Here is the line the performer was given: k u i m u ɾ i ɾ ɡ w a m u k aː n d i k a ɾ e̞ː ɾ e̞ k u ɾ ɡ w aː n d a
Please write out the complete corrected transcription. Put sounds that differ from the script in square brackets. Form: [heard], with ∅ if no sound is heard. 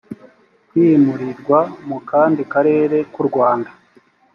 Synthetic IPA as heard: k [w] i m u ɾ i ɾ ɡ w a m u k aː n d i k a ɾ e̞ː ɾ e̞ k u ɾ ɡ w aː n d a